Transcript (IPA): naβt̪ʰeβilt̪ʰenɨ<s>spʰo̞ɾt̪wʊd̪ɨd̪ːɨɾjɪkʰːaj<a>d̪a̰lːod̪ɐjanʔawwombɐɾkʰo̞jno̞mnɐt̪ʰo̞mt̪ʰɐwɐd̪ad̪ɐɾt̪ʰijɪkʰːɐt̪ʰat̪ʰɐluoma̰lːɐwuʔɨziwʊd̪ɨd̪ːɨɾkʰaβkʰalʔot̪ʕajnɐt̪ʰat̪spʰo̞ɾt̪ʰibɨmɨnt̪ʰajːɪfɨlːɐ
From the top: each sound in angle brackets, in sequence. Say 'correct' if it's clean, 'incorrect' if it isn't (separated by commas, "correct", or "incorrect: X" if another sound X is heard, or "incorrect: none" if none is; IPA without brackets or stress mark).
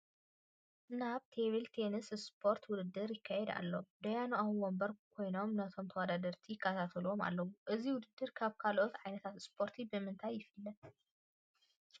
correct, incorrect: ɛ